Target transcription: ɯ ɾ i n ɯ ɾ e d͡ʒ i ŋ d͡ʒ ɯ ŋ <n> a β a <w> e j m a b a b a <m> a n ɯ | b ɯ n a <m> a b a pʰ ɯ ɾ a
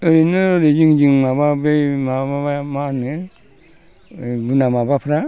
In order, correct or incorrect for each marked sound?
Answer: incorrect: m, incorrect: b, correct, correct

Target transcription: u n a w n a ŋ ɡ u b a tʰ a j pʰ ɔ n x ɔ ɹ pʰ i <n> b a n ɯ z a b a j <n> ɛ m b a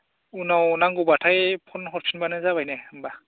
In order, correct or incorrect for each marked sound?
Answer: correct, correct

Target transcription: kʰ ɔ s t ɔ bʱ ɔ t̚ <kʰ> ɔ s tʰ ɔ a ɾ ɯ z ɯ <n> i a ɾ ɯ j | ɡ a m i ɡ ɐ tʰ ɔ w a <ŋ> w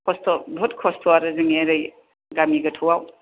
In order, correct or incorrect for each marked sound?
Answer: correct, incorrect: ŋ, incorrect: none

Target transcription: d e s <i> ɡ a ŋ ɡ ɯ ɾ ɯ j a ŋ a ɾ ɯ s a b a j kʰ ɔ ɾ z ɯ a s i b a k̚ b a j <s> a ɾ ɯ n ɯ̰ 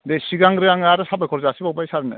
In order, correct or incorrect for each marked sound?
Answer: correct, correct

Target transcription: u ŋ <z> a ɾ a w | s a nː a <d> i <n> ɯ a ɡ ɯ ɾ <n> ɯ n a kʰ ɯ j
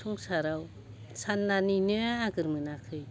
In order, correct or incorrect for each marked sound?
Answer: incorrect: s, incorrect: n, correct, incorrect: m

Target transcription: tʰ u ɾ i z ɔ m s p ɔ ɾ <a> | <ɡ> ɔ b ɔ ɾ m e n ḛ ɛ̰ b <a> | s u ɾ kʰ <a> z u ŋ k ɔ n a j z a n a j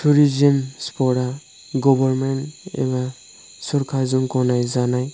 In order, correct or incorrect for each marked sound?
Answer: correct, correct, correct, correct

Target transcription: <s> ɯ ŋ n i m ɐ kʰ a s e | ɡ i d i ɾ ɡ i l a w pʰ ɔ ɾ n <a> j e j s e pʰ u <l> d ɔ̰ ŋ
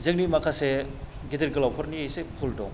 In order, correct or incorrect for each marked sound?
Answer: incorrect: z, incorrect: i, correct

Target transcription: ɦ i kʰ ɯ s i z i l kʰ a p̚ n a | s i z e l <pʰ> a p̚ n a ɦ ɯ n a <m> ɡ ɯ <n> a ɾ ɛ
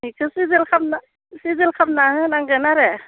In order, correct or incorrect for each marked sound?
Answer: incorrect: kʰ, incorrect: ŋ, correct

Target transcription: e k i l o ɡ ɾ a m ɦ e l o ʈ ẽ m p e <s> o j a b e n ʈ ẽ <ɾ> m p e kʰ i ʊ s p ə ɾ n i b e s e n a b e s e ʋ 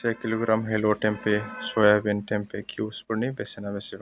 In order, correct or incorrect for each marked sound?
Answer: correct, incorrect: none

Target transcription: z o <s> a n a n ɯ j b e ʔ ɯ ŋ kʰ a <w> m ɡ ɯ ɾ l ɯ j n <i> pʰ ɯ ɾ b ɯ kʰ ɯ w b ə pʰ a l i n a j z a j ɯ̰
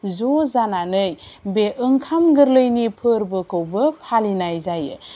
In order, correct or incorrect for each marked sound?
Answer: incorrect: z, incorrect: none, correct

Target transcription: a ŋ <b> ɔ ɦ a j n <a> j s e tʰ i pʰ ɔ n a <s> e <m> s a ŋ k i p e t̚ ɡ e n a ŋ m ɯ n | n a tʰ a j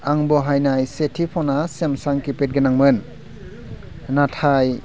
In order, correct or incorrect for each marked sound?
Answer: correct, correct, correct, correct

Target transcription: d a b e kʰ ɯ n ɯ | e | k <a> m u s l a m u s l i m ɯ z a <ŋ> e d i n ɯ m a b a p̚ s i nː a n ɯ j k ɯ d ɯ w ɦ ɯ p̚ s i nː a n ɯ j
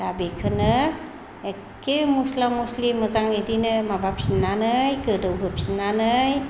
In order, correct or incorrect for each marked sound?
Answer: incorrect: e, correct

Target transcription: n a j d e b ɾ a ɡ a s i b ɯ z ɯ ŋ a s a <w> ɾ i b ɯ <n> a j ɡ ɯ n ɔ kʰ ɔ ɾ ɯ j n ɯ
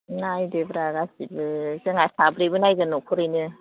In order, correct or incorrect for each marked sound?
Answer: incorrect: b, correct

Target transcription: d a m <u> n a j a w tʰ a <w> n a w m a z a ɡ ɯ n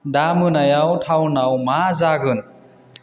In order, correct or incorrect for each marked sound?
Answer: incorrect: ɯ, correct

